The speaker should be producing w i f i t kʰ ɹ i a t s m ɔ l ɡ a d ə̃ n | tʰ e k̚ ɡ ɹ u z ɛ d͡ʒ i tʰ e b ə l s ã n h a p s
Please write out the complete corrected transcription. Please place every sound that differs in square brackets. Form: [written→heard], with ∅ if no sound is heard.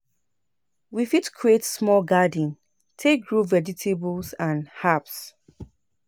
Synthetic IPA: w i f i t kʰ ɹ i [a→e] t s m ɔ l ɡ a d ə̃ n | tʰ e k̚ ɡ ɹ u [z→v] ɛ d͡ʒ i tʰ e b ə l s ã n h a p s